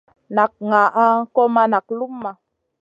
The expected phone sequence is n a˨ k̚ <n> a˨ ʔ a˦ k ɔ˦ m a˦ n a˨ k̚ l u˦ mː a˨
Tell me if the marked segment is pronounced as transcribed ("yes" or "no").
no